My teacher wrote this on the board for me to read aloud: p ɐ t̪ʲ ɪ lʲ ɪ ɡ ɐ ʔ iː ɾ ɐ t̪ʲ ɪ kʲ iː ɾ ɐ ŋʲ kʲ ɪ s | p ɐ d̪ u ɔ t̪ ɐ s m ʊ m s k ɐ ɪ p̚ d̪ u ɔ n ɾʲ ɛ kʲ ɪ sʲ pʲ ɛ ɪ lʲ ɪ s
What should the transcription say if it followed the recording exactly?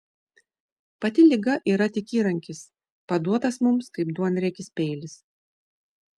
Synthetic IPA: p ɐ t̪ʲ ɪ lʲ ɪ ɡ ɐ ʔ iː ɾ ɐ t̪ʲ ɪ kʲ iː ɾ ɐ ŋʲ kʲ ɪ s | p ɐ d̪ u ɔ t̪ ɐ s m ʊ m s k ɐ ɪ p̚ d̪ u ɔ n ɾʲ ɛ kʲ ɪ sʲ pʲ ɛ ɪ lʲ ɪ s